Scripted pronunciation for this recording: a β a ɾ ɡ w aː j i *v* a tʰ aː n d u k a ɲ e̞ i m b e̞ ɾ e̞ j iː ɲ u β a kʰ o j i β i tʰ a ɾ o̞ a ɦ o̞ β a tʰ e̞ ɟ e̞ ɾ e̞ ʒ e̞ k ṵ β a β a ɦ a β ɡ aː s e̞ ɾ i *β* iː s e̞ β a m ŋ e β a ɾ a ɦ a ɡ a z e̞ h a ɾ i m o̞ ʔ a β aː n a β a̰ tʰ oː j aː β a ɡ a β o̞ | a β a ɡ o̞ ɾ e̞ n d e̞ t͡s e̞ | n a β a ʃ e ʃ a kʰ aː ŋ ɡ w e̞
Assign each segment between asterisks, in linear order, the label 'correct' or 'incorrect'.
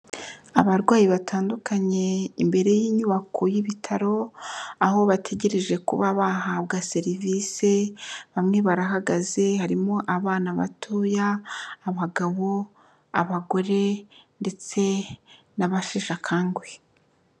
incorrect, incorrect

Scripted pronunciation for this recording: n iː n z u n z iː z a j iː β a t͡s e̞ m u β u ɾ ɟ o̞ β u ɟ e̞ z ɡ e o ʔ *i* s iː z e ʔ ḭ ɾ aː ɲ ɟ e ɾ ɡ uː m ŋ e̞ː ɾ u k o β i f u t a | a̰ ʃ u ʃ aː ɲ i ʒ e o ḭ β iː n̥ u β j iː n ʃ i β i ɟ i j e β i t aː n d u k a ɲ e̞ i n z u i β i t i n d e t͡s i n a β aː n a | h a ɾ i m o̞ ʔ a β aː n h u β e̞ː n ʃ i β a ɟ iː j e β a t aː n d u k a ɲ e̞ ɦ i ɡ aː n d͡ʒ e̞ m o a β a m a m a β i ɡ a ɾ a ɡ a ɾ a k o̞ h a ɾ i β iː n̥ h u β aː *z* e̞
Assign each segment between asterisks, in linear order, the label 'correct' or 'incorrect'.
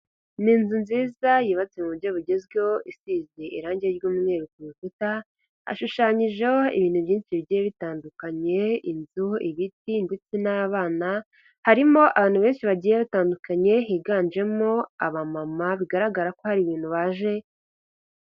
correct, incorrect

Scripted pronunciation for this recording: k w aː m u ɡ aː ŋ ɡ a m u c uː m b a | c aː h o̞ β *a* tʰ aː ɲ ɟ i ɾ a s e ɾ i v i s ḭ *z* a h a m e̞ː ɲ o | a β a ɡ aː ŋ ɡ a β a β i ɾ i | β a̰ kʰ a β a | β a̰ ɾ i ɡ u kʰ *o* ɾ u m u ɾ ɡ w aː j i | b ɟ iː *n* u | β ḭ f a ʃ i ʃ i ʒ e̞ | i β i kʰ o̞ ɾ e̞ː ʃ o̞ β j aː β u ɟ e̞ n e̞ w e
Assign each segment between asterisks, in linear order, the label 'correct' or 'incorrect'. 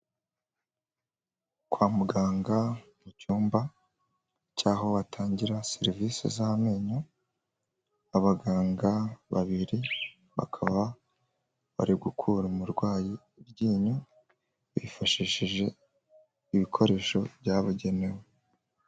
correct, correct, incorrect, incorrect

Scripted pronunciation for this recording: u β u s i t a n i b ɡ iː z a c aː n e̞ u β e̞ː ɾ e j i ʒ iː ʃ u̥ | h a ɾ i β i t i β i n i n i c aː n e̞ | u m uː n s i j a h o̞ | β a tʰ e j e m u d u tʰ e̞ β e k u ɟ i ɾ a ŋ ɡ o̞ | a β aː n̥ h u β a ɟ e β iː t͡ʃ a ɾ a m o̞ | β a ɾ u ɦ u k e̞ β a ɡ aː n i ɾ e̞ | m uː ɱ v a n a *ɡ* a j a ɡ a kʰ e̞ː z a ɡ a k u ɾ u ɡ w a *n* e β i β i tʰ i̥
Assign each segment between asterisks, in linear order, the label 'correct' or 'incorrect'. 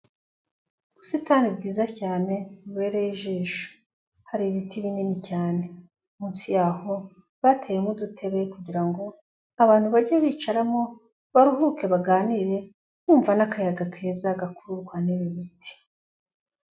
incorrect, correct

